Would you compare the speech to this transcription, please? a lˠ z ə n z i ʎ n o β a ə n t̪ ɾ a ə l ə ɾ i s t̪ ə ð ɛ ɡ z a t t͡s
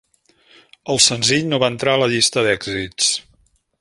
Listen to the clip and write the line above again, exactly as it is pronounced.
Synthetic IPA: ə lˠ s ə n z i ʎ n o β a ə n t̪ ɾ a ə l ə ʎ i s t̪ ə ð ɛ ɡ z i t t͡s